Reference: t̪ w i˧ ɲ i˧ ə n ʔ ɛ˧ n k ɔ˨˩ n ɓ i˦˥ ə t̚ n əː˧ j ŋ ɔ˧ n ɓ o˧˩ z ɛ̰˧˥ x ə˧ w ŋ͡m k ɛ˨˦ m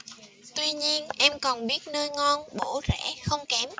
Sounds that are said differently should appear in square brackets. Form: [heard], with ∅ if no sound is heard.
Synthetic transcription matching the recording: t̪ w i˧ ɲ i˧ ə n ʔ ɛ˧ [m] k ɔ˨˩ n ɓ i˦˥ ə t̚ n əː˧ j ŋ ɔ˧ n ɓ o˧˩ z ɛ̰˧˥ x ə˧ w ŋ͡m k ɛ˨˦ m

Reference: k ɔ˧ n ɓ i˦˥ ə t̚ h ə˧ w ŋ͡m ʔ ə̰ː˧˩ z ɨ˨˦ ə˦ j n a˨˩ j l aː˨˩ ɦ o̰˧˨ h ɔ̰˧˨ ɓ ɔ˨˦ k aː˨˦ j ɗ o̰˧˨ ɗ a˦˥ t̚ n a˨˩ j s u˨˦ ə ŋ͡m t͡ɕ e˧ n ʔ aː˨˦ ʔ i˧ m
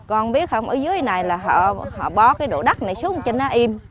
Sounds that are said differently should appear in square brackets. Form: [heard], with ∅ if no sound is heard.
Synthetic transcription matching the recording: k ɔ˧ n ɓ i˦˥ ə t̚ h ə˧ w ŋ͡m ʔ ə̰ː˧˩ z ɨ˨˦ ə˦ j n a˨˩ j l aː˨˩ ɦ [ɔ̰˧˨] h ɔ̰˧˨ ɓ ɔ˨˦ k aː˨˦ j ɗ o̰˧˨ ɗ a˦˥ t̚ n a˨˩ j s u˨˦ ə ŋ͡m t͡ɕ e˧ n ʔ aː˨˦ ʔ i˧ m

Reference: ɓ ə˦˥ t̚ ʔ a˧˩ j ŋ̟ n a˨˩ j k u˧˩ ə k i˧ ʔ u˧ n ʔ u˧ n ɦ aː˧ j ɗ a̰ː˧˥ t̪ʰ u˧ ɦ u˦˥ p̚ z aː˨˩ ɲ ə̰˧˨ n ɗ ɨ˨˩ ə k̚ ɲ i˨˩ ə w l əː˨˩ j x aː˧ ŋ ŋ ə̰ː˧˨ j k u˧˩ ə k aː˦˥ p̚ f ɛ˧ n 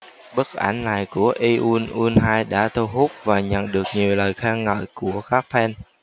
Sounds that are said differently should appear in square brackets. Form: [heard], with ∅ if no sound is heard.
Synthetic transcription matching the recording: ɓ ə˦˥ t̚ ʔ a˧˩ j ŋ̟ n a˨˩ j k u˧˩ ə [ʔ] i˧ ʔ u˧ n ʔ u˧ n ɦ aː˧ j ɗ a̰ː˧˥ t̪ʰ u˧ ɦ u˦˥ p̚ [v] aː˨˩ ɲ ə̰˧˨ n ɗ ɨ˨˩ ə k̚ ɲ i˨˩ ə w l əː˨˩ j x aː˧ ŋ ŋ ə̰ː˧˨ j k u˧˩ ə k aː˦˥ [k̚] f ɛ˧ n

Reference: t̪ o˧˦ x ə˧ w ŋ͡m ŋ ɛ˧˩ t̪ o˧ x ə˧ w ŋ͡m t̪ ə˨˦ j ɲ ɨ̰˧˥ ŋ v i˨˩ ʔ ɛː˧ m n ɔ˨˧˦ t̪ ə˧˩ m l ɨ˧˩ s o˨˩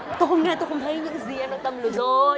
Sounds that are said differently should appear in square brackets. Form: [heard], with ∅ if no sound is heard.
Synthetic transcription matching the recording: t̪ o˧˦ x ə˧ w ŋ͡m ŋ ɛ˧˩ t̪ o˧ x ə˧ w ŋ͡m [t̪ʰ] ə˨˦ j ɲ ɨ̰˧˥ ŋ [z] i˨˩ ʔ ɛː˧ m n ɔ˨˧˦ t̪ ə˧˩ m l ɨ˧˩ [z] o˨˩

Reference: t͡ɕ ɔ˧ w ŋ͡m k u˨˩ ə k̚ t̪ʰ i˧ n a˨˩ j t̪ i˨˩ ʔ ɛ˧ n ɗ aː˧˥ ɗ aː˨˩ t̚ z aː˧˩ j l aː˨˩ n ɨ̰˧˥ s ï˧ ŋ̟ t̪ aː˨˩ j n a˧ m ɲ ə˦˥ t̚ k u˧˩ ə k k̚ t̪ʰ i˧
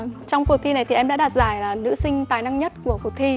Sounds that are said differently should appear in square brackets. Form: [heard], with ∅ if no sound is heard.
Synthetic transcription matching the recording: t͡ɕ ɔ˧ w ŋ͡m k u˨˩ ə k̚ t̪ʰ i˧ n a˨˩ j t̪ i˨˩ ʔ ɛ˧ [m] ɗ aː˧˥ ɗ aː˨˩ t̚ z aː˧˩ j l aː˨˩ n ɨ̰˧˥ s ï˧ ŋ̟ t̪ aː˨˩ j n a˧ [ŋ] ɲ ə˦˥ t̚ k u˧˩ ə k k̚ t̪ʰ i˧

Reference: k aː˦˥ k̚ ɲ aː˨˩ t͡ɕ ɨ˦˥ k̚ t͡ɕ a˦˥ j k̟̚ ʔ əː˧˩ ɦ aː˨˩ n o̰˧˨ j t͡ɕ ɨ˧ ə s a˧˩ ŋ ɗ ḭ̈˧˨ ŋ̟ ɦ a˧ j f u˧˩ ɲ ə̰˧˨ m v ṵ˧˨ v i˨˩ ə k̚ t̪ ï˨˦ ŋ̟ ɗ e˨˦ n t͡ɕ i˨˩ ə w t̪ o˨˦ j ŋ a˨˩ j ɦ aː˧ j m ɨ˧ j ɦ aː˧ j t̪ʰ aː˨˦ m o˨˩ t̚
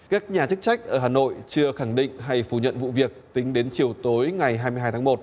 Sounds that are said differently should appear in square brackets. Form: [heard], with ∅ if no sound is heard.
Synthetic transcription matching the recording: k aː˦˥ k̚ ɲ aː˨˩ t͡ɕ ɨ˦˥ k̚ t͡ɕ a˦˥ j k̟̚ ʔ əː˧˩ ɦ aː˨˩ n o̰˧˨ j t͡ɕ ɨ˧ ə [x] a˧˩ ŋ ɗ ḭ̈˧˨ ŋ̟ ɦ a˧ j f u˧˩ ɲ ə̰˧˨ [n] v ṵ˧˨ v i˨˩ ə k̚ t̪ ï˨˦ ŋ̟ ɗ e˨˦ n t͡ɕ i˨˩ ə w t̪ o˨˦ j ŋ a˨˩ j ɦ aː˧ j m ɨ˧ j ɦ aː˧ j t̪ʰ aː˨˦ m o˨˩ t̚

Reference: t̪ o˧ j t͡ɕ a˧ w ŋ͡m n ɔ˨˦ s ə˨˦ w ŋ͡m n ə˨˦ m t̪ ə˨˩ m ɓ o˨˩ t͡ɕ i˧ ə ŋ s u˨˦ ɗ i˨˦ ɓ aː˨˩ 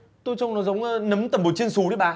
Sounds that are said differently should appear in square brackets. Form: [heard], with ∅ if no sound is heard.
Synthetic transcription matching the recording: t̪ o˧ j t͡ɕ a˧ w ŋ͡m n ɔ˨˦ [z] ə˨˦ w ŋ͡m n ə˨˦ m t̪ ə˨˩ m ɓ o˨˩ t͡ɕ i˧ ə [n] s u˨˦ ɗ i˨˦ ɓ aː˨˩

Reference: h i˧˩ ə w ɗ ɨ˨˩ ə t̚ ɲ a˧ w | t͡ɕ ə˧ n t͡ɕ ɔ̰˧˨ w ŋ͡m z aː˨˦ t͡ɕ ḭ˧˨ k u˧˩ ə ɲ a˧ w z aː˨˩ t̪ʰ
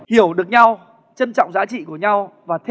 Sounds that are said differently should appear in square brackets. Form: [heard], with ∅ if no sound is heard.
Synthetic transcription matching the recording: h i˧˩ ə w ɗ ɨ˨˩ ə [k̚] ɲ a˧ w | t͡ɕ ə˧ n t͡ɕ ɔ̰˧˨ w ŋ͡m z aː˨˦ t͡ɕ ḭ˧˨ k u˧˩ ə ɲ a˧ w [v] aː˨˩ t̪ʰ

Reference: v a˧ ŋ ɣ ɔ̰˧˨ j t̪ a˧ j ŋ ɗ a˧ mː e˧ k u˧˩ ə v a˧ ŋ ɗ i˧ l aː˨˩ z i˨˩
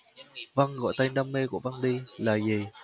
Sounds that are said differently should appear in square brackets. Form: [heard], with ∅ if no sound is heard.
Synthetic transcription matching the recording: v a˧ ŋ ɣ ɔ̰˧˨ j t̪ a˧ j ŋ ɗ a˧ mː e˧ k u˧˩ ə v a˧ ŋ ɗ i˧ l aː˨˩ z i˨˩

